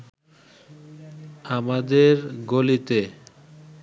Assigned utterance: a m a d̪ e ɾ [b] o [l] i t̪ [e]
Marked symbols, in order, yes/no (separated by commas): no, yes, yes